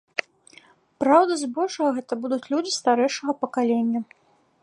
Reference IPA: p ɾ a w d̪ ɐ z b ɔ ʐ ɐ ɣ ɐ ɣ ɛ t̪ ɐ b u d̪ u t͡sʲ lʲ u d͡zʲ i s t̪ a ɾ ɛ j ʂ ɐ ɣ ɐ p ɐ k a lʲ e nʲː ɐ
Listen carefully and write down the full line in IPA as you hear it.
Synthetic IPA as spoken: p ɾ a w d̪ ɐ z b ɔ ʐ ɐ ɣ ɐ ɣ ɛ t̪ ɐ b u d̪ u t͡sʲ lʲ u d͡zʲ i s t̪ a ɾ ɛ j ʂ ɐ ɣ ɐ p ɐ k a lʲ e nʲː ɐ